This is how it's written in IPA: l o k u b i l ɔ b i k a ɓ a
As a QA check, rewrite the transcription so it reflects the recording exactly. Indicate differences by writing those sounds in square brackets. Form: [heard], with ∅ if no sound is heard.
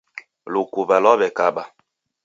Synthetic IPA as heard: l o k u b [a] l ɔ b [ɛ] k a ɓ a